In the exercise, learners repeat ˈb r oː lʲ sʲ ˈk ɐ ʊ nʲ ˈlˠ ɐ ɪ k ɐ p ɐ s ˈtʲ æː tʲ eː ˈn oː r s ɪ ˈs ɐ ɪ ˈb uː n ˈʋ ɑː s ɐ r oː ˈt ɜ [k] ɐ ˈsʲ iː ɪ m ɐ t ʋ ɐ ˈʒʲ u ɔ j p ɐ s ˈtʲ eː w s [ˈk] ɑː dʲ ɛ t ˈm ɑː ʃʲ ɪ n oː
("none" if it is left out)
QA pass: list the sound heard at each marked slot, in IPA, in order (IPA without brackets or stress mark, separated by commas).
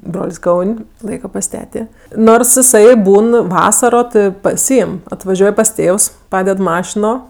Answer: p, p